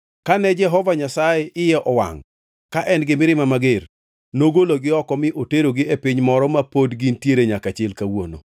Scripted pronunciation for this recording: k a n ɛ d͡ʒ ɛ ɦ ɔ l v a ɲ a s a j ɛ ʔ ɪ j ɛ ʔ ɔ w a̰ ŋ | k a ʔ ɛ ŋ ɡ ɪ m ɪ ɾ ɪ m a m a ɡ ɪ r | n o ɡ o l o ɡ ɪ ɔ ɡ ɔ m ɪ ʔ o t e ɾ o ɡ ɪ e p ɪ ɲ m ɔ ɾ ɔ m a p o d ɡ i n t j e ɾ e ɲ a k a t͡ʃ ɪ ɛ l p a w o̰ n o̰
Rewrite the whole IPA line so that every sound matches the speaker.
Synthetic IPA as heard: k a n ɛ d͡ʒ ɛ ɦ ɔ v a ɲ a s a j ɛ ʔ ɪ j ɛ ʔ ɔ w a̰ ŋ | k a ʔ ɛ n ɡ ɪ m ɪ ɾ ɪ m a m a ɡ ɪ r | n o ɡ o l o ɡ ɪ ɔ k ɔ m ɪ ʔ o t e ɾ o ɡ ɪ e p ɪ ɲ m ɔ ɾ ɔ m a p o d ɡ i n t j e ɾ e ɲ a k a t͡ʃ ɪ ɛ l k a w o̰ n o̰